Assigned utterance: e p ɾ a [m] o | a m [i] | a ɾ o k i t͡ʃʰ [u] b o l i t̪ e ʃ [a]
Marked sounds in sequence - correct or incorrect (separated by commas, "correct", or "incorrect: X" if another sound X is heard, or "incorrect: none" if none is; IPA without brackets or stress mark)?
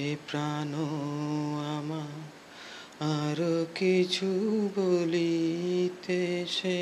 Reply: incorrect: n, incorrect: a, correct, incorrect: e